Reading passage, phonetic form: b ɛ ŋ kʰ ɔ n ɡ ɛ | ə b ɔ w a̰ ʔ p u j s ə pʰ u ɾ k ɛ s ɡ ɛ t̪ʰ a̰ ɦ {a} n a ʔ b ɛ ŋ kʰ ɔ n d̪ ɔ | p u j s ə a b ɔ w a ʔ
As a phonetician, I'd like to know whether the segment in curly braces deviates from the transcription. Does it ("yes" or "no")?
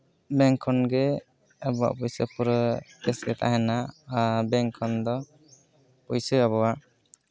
yes